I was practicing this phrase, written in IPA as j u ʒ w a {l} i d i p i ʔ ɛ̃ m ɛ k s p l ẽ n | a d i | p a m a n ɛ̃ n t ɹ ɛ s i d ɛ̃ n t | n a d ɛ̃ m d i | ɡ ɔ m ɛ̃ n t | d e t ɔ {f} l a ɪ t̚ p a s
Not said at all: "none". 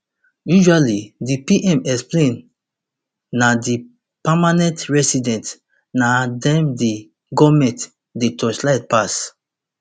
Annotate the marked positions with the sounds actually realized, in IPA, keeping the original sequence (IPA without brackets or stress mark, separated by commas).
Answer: l, s